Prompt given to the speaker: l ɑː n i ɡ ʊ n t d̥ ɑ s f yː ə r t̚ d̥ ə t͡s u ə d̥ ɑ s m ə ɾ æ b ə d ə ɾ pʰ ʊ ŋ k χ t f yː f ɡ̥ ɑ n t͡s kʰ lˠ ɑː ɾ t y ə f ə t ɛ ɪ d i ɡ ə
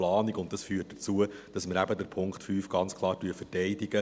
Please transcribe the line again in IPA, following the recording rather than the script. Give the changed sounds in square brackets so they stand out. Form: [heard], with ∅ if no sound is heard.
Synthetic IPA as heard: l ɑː n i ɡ ʊ n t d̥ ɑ s f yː ə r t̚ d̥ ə t͡s u ə d̥ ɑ s m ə ɾ æ b ə d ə ɾ pʰ ʊ ŋ k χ t f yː f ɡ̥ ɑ n t͡s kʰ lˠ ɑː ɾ t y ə f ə t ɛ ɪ d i ɡ ə